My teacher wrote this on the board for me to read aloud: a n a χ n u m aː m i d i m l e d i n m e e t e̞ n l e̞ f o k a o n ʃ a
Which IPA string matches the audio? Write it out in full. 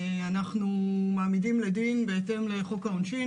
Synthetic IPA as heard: a n a χ n u m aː m i d i m l e d i n b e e t e̞ m l e̞ χ o k a o n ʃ i